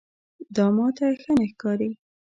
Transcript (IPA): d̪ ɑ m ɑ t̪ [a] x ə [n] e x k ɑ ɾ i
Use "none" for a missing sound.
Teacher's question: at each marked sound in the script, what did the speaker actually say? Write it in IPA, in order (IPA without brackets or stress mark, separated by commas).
a, n